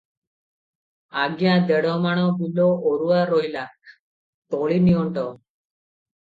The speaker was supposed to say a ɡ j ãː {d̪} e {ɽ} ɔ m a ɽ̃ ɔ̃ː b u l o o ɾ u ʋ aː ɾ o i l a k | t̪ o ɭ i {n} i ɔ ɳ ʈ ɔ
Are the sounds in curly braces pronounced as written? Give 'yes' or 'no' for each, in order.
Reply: yes, yes, yes

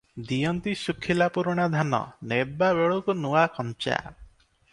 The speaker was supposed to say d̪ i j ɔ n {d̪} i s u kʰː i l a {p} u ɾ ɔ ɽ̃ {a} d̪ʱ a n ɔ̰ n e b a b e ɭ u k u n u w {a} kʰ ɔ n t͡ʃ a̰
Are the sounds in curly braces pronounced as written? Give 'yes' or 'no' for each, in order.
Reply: no, yes, yes, yes

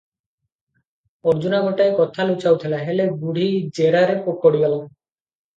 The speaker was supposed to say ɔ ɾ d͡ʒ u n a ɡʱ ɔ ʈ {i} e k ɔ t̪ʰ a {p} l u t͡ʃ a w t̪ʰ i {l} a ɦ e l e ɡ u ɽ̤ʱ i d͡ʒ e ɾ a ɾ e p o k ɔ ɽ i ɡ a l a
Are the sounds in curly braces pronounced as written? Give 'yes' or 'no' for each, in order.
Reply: no, no, yes

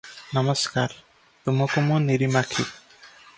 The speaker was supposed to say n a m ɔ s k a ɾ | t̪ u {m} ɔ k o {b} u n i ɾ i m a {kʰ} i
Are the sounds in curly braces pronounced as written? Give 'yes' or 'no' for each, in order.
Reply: yes, no, yes

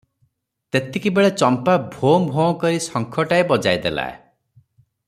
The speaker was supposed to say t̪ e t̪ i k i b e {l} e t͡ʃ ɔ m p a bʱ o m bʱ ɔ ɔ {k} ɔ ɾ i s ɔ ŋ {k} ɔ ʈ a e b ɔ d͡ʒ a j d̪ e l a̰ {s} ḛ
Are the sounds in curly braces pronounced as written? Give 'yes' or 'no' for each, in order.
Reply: no, yes, no, no

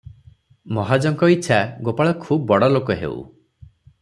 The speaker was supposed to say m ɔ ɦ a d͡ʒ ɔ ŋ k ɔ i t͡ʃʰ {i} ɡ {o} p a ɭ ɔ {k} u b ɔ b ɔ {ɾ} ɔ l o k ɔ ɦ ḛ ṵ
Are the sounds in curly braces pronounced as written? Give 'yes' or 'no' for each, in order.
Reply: no, yes, no, no

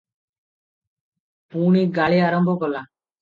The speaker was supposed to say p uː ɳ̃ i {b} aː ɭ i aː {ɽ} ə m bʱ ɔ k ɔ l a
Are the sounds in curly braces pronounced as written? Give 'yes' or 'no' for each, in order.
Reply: no, no

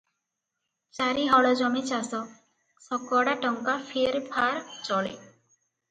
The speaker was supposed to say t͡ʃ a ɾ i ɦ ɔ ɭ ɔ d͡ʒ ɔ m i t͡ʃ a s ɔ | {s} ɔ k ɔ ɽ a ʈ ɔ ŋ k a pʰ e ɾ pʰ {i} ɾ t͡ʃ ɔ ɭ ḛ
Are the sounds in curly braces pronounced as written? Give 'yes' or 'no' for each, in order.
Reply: yes, no

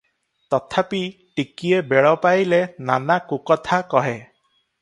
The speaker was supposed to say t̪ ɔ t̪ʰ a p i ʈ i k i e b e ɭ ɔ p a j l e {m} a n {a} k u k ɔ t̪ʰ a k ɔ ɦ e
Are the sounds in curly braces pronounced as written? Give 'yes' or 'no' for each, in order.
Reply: no, yes

